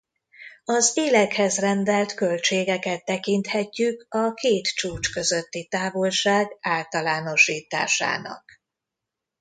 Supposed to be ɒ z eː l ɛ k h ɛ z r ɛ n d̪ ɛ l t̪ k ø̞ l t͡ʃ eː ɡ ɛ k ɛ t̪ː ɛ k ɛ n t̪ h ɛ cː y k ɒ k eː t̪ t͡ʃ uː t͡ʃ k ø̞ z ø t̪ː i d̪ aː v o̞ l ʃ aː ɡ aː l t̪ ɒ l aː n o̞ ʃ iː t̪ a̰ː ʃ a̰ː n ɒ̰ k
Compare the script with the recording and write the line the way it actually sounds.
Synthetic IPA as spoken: ɒ z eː l ɛ k h ɛ z r ɛ n d̪ ɛ l t̪ k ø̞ l t͡ʃ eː ɡ ɛ k ɛ t̪ː ɛ k i n t̪ h ɛ cː y k ɒ k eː t̪ t͡ʃ uː t͡ʃ k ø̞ z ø t̪ː i t̪ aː v o̞ l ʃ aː ɡ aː l t̪ ɒ l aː n o̞ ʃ iː t̪ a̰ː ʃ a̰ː n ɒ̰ k